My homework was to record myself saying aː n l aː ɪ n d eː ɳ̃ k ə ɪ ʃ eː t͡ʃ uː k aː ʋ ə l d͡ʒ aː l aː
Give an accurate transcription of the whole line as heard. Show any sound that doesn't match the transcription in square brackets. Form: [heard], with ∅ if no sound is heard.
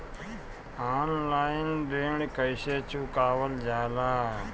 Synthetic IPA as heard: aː n l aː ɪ n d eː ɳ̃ k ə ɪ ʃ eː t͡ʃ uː k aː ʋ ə l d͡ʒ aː l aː